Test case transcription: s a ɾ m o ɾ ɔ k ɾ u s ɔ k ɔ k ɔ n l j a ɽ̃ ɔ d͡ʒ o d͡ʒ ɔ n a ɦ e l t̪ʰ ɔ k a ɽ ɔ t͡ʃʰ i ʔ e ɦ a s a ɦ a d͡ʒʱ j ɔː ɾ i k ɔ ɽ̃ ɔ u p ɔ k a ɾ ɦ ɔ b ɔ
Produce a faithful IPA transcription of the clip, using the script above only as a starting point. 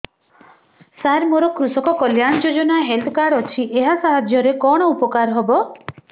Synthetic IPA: s a ɾ m o ɾ ɔ k ɾ u s ɔ k ɔ k ɔ l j a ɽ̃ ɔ d͡ʒ o d͡ʒ ɔ n a ɦ e l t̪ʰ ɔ k a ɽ ɔ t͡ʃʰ i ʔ e ɦ a s a ɦ a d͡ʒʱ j ɔ ɾ e k ɔ ɽ̃ ɔ u p ɔ k a ɾ ɦ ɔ b ɔ